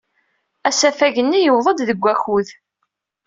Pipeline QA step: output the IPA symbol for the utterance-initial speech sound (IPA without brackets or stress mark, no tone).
æ